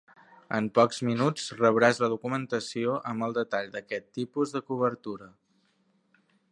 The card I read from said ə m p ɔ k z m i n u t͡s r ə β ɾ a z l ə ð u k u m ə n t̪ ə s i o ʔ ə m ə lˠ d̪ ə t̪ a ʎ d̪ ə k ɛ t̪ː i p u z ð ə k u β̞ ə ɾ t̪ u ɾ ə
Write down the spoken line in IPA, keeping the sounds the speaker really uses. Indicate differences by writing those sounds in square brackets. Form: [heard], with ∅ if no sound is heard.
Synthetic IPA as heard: ə m p ɔ k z m i n u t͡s r ə β ɾ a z l ə ð u k u m ə n t̪ ə s i o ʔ ə m ə lˠ d̪ ə t̪ a ʎ d̪ ə k ɛ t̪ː i p u z ð ə k u β̞ ə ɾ t̪ u ɾ ə